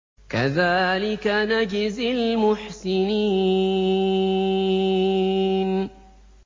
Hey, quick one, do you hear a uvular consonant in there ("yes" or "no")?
no